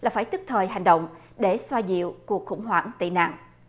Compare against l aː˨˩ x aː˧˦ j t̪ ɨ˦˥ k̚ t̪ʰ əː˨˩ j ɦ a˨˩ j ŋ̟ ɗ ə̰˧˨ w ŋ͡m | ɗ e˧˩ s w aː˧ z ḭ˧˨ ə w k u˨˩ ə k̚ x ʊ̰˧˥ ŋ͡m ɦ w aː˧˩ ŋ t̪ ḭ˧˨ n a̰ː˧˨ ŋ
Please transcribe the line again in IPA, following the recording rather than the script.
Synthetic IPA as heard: l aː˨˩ f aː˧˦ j t̪ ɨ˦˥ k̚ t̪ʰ əː˨˩ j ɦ a˨˩ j ŋ̟ ɗ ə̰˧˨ w ŋ͡m | ɗ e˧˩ s w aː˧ z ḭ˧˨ ə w k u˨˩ ə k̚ x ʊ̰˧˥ ŋ͡m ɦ w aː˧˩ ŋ t̪ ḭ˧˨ n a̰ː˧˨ ŋ